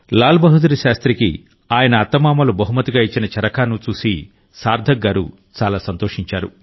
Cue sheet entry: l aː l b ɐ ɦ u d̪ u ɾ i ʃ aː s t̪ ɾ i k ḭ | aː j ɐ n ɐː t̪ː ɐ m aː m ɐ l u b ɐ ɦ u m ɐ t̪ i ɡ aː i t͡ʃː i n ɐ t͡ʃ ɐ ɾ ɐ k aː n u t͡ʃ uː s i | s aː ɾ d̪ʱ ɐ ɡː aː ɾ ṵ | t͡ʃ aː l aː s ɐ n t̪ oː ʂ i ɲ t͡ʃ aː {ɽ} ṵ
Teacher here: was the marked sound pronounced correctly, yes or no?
no